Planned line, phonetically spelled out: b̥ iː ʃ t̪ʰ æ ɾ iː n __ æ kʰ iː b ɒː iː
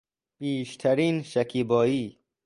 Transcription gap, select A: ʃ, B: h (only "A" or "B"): A